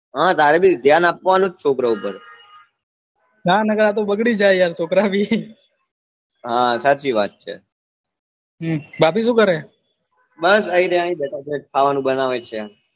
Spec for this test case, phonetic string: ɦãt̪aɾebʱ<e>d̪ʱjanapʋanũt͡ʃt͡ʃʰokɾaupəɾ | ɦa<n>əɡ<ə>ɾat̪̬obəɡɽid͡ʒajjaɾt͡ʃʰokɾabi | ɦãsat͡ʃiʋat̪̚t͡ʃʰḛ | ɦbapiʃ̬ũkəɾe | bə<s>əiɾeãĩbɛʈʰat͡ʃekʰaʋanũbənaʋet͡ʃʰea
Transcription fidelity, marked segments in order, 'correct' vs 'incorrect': incorrect, correct, correct, correct

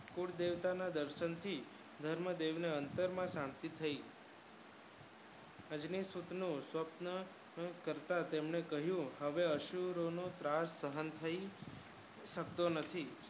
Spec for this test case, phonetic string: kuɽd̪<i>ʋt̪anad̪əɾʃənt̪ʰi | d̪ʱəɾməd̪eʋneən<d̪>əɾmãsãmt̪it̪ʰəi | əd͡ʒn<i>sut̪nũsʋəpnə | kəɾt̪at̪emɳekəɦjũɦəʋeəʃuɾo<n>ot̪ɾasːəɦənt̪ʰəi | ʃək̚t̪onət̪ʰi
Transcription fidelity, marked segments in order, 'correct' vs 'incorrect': incorrect, incorrect, correct, correct

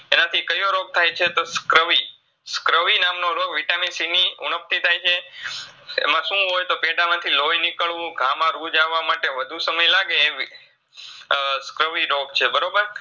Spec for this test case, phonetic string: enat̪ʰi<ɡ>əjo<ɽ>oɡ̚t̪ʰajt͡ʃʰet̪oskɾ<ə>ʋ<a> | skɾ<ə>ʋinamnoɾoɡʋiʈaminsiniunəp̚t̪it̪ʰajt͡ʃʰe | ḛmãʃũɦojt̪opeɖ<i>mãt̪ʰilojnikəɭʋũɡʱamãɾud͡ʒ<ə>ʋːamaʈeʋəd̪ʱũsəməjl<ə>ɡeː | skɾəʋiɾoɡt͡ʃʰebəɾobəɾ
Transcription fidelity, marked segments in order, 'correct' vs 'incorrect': incorrect, incorrect, correct, incorrect, correct, incorrect, incorrect, incorrect

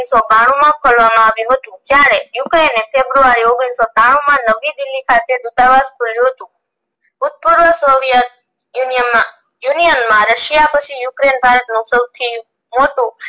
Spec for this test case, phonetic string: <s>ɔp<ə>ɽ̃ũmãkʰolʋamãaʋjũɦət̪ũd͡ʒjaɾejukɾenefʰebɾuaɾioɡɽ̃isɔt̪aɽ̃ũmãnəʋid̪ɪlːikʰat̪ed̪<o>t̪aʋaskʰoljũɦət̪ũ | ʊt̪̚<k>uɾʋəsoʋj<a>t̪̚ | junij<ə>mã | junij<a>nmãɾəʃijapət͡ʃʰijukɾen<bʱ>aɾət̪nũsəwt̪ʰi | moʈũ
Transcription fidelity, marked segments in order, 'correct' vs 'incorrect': correct, incorrect, incorrect, incorrect, incorrect, correct, incorrect, correct

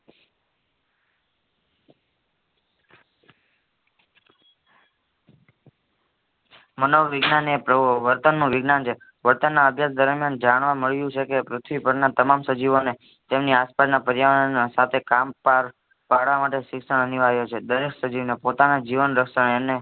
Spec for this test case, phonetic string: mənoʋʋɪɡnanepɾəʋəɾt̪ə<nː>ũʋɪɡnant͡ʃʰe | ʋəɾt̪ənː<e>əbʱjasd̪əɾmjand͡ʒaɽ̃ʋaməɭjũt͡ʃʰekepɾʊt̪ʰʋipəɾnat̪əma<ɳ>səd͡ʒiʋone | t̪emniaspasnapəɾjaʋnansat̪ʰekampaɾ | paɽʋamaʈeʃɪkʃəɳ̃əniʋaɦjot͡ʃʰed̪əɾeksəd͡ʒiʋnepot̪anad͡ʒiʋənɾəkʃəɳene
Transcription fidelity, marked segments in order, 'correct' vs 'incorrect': correct, incorrect, incorrect

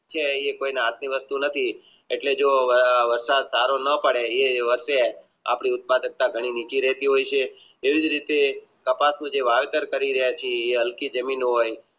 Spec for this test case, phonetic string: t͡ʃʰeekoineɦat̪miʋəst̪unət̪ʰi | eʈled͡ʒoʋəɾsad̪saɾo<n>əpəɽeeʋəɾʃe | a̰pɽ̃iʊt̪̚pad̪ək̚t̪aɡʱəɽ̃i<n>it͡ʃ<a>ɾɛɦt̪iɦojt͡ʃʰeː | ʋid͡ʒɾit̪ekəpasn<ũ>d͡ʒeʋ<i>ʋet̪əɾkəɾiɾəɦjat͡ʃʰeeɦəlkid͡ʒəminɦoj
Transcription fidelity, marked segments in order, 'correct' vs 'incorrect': correct, correct, incorrect, correct, incorrect

